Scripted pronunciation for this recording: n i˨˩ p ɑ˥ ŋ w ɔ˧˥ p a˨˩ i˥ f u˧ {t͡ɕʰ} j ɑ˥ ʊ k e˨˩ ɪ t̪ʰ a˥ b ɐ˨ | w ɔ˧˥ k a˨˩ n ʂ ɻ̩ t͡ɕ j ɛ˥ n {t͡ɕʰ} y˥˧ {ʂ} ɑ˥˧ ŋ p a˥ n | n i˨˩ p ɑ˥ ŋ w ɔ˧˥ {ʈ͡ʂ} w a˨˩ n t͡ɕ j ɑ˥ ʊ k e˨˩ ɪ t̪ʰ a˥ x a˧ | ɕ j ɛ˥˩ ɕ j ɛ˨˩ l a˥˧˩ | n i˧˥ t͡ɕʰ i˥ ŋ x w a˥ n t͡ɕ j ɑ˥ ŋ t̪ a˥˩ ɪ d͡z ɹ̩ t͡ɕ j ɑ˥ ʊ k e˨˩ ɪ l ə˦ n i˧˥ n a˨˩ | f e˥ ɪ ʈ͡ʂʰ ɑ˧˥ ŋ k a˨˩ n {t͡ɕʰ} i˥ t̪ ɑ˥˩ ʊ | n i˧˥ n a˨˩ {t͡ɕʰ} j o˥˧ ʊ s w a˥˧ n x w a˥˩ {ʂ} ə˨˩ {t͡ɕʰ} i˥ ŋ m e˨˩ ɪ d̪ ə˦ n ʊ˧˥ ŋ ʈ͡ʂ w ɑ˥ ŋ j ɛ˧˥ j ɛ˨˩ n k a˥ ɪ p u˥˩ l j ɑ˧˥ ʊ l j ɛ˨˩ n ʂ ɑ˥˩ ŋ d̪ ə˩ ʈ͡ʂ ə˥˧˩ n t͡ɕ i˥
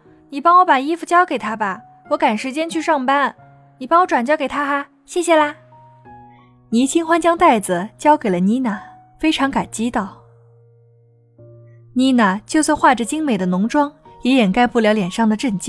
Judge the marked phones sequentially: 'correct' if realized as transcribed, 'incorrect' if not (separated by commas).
incorrect, correct, correct, correct, incorrect, incorrect, incorrect, incorrect